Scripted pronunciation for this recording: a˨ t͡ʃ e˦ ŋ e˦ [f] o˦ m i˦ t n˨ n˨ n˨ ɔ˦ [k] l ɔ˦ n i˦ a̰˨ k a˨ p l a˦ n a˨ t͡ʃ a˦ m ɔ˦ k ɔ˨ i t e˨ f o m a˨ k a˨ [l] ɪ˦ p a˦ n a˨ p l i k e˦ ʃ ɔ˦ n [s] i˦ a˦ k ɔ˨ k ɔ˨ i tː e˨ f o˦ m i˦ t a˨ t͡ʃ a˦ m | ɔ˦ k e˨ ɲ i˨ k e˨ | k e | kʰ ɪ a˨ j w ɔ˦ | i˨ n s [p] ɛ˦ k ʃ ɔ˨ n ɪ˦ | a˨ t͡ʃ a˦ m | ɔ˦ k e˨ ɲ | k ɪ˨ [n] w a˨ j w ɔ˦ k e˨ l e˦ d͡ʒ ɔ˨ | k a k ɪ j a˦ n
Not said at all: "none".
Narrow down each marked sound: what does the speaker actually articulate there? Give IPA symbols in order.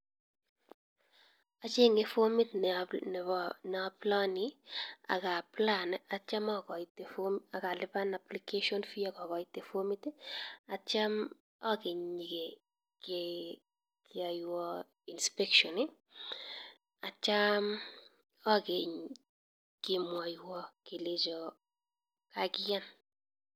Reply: f, p, l, f, p, m

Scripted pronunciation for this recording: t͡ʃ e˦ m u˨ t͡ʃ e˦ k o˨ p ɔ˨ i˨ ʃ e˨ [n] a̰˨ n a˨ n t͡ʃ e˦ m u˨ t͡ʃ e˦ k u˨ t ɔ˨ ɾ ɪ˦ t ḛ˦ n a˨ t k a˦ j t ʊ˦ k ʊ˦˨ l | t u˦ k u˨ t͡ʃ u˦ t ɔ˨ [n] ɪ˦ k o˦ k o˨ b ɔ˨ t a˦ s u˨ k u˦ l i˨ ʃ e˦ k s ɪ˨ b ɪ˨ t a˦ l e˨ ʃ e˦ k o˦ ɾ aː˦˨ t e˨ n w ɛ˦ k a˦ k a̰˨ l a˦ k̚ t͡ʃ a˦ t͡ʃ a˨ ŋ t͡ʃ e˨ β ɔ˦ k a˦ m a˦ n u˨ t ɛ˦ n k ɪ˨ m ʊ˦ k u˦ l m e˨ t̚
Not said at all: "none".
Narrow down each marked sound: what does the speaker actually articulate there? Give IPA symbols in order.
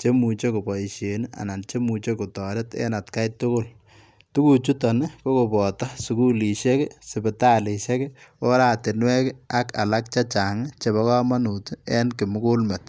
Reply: n, n

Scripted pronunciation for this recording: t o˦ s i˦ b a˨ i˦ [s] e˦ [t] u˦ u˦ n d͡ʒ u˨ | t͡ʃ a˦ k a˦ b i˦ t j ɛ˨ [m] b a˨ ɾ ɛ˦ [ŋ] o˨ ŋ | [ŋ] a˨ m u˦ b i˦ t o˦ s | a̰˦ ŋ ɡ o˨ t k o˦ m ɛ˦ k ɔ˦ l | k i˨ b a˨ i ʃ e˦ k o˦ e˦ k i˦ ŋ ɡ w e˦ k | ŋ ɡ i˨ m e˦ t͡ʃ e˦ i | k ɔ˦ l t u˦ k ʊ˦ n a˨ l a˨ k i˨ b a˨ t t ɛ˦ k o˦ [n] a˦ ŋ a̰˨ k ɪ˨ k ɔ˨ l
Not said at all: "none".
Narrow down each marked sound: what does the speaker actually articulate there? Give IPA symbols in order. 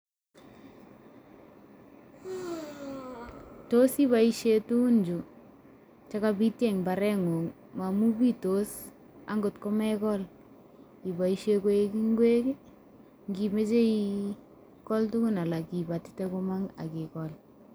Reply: ʃ, t, ŋ, ŋ, m, m

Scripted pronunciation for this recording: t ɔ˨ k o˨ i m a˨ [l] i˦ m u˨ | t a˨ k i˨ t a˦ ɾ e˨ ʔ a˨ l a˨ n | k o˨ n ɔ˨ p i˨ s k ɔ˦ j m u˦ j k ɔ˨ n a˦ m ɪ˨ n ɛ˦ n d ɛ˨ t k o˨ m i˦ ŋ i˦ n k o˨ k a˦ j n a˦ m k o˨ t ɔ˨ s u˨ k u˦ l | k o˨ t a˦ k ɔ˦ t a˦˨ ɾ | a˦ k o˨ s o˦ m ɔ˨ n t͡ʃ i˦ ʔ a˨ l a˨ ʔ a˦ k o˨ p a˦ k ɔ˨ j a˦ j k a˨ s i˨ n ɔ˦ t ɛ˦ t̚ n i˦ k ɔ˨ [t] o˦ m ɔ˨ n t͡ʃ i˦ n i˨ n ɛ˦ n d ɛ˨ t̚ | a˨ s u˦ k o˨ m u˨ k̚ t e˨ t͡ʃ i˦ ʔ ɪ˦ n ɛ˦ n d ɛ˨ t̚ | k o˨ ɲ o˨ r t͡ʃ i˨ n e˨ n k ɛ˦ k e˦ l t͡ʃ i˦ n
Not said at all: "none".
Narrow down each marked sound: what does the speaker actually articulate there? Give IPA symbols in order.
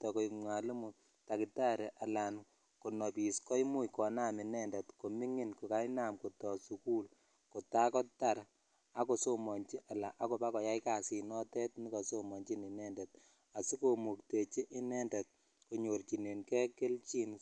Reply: l, s

